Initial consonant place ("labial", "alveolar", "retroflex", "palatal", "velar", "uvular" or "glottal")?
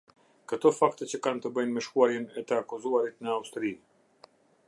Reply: velar